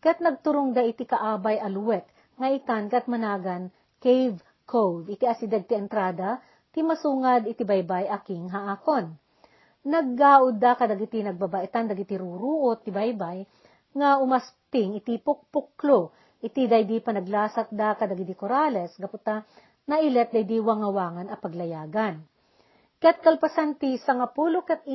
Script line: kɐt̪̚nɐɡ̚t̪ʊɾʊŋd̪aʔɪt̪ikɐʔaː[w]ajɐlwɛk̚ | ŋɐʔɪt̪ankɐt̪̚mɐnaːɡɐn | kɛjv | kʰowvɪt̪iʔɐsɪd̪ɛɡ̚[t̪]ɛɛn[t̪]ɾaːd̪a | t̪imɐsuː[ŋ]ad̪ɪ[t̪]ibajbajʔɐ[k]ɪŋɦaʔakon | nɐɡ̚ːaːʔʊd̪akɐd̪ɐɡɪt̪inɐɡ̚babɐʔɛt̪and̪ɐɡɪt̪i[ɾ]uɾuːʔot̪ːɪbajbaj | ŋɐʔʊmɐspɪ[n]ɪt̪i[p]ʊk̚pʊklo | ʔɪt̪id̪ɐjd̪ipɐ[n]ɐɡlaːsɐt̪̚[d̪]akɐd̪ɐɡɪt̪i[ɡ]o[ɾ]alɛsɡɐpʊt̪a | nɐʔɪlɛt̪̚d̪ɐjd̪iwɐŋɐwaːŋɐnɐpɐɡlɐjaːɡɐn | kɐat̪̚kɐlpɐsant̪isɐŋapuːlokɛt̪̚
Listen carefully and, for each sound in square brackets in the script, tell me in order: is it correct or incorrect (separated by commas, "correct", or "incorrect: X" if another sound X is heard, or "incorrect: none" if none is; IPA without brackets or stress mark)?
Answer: incorrect: b, correct, correct, correct, correct, correct, correct, incorrect: ŋ, correct, correct, correct, incorrect: k, correct